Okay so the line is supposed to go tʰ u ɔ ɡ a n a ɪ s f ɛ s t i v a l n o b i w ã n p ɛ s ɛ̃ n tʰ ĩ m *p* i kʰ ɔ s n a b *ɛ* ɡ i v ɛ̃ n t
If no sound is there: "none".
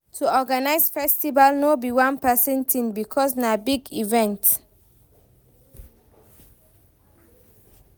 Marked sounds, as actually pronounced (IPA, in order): b, i

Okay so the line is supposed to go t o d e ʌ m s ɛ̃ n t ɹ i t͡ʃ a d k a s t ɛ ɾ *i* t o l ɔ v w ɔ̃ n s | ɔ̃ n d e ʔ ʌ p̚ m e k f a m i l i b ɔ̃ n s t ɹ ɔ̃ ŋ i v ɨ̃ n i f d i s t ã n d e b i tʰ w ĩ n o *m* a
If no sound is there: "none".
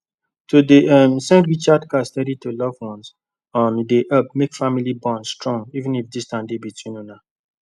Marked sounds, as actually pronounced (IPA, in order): i, n

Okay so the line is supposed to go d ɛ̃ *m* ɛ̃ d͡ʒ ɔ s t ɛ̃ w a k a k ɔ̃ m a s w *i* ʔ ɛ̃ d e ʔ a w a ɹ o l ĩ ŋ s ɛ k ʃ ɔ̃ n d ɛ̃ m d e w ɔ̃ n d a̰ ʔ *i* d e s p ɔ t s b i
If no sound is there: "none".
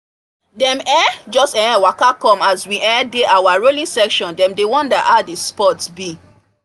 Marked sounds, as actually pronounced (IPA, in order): m, i, a

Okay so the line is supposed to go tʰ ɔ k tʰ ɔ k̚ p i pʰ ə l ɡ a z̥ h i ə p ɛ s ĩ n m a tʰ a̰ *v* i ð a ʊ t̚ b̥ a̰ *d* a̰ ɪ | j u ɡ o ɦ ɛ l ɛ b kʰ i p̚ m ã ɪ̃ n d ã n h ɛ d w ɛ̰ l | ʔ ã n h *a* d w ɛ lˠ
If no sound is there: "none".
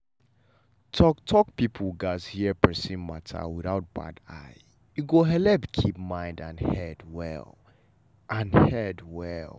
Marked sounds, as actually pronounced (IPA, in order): w, d, ɛ

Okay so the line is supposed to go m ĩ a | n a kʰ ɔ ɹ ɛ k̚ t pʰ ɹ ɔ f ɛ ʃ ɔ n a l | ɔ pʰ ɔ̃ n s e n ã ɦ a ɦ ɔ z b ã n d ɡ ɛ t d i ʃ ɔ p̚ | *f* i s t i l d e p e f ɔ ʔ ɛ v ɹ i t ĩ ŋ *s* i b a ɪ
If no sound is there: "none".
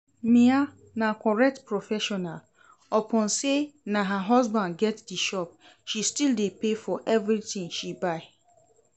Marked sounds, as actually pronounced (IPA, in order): ʃ, ʃ

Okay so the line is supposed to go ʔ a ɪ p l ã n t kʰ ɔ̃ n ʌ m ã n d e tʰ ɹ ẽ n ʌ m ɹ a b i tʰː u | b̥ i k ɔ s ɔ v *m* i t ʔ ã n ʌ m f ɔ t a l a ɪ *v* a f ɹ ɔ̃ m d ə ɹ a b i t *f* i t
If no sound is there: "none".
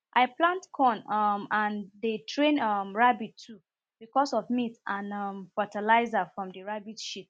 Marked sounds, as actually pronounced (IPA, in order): m, z, ʃ

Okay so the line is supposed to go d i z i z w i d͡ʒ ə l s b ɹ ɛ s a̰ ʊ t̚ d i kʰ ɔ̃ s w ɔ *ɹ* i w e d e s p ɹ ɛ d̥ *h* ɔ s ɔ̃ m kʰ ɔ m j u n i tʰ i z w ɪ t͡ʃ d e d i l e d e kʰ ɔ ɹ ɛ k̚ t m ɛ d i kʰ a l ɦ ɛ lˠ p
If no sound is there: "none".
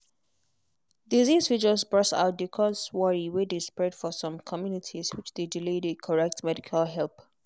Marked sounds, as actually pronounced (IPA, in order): ɹ, f

